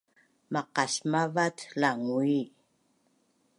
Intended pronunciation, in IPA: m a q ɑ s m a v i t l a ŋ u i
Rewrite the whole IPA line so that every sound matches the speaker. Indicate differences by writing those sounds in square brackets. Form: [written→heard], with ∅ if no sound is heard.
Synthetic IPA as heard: m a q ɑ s m a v [i→a] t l a ŋ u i